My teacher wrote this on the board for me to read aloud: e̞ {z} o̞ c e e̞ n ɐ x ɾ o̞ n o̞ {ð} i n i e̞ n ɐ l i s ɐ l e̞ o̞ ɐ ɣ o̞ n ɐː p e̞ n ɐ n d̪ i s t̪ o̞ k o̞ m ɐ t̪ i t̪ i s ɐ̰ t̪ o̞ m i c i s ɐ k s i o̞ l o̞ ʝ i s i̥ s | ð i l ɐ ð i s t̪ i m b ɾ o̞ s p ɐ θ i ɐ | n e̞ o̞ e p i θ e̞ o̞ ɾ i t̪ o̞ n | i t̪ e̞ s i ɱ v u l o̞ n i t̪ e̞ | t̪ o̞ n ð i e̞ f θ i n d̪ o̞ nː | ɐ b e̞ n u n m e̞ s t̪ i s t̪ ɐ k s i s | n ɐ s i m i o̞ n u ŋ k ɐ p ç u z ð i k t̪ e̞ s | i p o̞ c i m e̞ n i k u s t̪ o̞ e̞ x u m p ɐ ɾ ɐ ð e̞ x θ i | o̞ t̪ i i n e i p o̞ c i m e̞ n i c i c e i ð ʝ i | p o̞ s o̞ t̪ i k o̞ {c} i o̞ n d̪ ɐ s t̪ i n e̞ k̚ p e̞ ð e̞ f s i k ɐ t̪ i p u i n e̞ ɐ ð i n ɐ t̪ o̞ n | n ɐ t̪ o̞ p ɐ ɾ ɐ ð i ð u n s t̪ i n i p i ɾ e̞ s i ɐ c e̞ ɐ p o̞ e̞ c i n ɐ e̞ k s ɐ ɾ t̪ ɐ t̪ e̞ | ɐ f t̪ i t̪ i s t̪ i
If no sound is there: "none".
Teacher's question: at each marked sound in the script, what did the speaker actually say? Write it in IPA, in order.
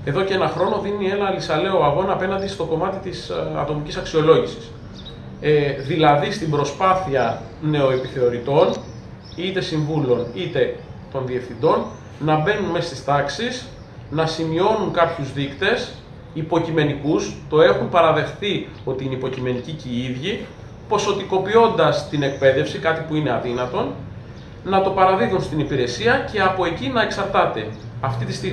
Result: ð, ð, p

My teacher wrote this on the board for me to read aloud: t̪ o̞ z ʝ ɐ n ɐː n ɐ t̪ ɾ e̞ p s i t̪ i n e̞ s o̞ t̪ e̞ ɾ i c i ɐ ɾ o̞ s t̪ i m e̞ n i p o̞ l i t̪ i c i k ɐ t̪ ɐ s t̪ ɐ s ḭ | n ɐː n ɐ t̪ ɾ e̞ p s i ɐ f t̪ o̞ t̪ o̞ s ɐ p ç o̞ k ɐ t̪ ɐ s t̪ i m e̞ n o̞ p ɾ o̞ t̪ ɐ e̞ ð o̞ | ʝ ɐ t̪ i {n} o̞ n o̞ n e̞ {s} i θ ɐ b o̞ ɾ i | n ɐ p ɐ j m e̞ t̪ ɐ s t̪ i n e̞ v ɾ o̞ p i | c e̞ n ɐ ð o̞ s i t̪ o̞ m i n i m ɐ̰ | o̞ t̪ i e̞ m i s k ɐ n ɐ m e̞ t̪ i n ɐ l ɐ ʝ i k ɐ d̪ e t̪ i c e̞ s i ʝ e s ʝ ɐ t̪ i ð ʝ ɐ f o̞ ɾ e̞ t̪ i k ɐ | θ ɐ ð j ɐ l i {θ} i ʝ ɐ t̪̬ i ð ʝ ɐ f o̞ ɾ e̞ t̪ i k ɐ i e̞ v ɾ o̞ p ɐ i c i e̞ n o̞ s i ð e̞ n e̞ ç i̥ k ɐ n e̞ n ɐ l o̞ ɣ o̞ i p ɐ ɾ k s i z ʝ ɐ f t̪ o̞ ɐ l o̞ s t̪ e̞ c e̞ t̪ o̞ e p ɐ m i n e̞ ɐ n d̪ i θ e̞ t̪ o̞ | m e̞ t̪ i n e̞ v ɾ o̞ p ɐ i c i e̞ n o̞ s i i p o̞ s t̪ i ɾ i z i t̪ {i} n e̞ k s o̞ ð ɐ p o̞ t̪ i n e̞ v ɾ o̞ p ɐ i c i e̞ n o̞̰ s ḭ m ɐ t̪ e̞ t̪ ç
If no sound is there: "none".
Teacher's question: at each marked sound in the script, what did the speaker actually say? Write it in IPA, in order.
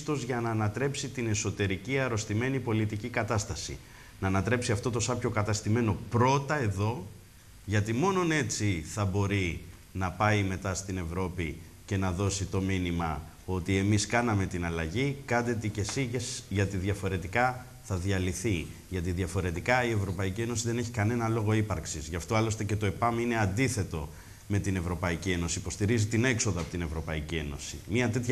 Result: m, t͡s, θ, i

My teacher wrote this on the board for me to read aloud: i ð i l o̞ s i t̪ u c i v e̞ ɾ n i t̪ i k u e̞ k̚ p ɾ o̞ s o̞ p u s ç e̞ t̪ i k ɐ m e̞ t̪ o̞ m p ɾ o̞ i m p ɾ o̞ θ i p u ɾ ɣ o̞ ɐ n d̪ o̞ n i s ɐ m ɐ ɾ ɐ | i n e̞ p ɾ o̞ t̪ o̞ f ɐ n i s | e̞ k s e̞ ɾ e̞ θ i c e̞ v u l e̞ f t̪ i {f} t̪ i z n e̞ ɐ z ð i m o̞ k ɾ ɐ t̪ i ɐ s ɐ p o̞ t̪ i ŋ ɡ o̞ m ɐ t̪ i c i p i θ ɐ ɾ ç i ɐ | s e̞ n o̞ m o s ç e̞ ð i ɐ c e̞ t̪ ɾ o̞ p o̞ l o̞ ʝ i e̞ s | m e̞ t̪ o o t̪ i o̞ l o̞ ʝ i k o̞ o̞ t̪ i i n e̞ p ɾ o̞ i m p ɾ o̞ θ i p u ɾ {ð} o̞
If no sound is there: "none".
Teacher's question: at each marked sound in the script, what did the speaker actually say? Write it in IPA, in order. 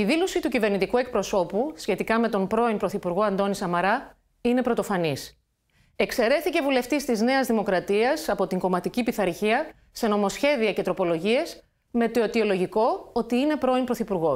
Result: s, ɣ

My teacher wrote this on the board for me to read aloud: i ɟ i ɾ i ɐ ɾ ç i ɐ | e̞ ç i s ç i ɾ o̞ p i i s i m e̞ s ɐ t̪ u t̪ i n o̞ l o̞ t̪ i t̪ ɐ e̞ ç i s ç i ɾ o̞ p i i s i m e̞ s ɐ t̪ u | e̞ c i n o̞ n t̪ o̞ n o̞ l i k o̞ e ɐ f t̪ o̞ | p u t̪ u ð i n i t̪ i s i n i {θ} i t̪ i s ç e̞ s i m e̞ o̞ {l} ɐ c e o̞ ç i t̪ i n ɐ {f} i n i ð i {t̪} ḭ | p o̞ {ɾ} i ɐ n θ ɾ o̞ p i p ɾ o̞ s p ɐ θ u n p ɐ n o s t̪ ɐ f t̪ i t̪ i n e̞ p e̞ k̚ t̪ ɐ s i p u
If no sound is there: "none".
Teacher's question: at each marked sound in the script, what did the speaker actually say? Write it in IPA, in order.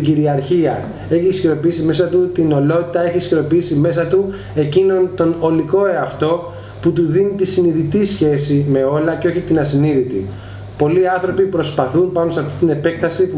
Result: ð, l, s, t̪, l

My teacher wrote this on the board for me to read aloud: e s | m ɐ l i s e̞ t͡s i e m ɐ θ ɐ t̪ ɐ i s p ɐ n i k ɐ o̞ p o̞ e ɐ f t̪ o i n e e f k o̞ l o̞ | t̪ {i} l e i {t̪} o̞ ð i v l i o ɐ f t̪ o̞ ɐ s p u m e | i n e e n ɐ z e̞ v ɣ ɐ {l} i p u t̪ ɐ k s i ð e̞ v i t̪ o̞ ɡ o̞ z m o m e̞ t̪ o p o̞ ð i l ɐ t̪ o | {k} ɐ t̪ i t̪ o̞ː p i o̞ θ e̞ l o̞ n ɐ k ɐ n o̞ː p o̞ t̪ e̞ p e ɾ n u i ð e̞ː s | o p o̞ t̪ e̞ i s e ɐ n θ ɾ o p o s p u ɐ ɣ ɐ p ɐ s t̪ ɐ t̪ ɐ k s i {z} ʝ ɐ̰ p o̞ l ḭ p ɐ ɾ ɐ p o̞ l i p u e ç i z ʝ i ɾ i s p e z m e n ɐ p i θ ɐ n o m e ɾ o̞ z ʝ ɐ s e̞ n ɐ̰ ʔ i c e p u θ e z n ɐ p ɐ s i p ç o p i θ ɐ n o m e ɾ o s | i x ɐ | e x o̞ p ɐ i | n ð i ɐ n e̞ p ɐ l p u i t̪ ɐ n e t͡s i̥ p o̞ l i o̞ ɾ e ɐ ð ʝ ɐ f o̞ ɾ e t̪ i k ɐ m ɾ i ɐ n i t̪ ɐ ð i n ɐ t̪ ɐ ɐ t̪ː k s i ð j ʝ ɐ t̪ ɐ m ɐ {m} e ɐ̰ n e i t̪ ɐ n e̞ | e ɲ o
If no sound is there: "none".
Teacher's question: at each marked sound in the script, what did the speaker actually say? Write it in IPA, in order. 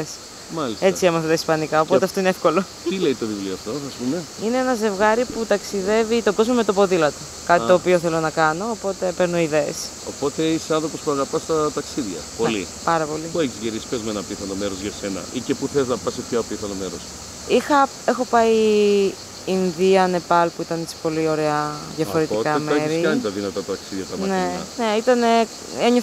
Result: i, t̪, ɾ, k, ð, n

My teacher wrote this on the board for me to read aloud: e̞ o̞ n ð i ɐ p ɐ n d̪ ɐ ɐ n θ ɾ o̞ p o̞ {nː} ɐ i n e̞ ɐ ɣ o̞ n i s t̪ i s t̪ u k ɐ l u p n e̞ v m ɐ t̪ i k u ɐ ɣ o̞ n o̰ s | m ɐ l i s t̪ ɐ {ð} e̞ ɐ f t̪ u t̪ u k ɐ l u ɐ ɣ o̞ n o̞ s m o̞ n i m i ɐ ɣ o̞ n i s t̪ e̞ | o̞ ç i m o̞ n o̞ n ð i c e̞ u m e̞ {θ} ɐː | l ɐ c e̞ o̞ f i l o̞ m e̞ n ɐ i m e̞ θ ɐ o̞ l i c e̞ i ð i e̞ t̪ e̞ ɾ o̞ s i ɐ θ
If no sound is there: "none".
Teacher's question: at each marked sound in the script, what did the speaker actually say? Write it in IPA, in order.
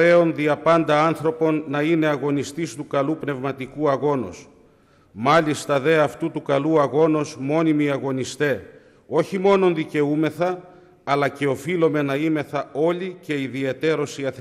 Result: nː, ð, θ

